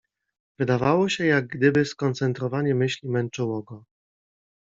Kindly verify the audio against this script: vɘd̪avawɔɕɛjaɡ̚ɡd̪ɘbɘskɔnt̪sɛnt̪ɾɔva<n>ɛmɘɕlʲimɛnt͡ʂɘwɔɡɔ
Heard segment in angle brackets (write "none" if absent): ɲ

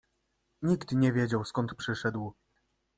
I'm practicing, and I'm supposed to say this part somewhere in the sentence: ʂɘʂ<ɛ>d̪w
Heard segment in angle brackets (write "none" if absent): ɛ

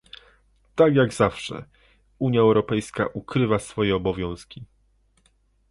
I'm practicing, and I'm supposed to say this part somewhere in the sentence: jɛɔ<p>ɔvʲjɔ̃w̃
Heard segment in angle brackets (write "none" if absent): b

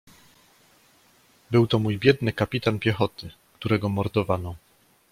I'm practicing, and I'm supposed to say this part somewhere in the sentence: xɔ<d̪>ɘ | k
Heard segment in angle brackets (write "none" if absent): t̪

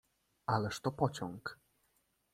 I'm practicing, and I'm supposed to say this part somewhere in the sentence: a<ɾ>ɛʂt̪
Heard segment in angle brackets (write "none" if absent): l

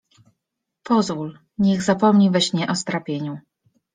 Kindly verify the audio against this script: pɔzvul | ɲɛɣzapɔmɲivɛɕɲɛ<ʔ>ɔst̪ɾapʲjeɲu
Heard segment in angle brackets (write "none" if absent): ʔ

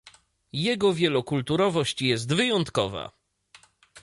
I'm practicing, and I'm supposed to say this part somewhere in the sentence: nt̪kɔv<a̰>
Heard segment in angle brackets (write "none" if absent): a̰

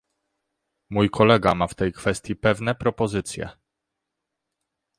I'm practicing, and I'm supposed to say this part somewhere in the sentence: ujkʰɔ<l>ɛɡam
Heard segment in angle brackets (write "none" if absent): l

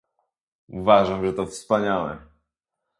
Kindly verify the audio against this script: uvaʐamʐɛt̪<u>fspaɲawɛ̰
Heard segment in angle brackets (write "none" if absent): ɔ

